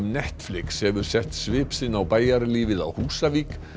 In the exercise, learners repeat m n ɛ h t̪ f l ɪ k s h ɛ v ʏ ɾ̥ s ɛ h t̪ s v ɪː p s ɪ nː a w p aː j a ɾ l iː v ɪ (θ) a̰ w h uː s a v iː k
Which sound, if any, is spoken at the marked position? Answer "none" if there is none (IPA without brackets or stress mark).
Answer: ð